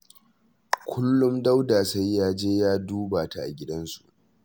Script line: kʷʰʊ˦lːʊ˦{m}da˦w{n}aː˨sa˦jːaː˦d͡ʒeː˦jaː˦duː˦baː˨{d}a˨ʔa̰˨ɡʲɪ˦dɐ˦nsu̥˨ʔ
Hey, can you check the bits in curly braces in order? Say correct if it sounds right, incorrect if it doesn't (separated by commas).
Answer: correct, incorrect, incorrect